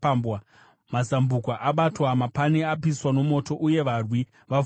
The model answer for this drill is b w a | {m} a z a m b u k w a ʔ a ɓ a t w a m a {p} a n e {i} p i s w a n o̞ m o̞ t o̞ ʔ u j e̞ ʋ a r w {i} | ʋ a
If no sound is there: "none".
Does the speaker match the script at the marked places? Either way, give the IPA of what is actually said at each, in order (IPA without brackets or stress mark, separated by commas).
m, p, a, i